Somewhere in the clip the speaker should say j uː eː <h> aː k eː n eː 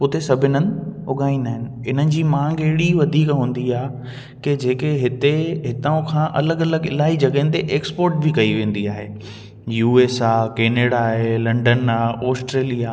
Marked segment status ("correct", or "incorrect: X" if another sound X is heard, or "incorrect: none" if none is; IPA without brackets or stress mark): incorrect: s